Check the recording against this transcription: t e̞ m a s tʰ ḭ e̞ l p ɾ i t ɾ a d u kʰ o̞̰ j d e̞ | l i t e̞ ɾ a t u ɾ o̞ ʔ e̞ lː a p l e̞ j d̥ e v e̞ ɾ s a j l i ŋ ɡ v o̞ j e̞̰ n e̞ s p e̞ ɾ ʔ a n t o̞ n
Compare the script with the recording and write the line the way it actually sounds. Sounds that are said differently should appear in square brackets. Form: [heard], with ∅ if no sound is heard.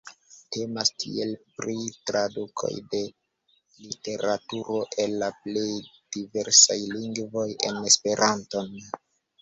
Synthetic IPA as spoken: t e̞ m a s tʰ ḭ e̞ l p ɾ i t ɾ a d u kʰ o̞̰ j d e̞ | l i t e̞ ɾ a t u ɾ o̞ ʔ e̞ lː a p l e̞ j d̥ [i] v e̞ ɾ s a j l i ŋ ɡ v o̞ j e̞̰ n e̞ s p e̞ ɾ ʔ a n t o̞ n